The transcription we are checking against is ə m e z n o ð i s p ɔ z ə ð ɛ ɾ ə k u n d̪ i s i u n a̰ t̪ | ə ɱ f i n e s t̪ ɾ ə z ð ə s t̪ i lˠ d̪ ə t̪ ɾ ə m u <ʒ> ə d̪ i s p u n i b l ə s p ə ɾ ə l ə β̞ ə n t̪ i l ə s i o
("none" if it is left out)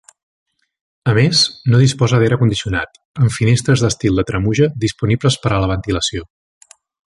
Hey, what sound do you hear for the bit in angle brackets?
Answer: ʒ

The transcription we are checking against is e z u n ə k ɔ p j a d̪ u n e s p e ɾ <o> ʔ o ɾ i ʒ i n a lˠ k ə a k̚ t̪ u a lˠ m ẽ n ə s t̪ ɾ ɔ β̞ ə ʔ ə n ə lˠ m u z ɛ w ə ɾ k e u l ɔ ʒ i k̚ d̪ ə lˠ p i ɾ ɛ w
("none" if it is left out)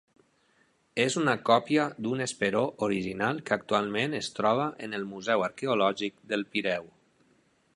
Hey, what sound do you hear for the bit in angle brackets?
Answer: o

